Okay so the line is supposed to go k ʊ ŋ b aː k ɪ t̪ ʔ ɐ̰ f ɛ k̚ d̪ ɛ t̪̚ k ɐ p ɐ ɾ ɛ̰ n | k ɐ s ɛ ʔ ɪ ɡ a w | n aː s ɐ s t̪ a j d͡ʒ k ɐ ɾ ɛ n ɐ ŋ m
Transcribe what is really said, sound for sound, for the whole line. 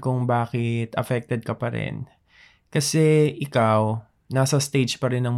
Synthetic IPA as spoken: k ʊ ŋ b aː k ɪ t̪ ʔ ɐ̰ f ɛ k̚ t̪ ɛ d̪̚ k ɐ p ɐ ɾ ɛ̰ n | k ɐ s ɛ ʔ ɪ k a w | n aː s ɐ s t̪ e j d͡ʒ p ɐ ɾ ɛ n ɐ ŋ m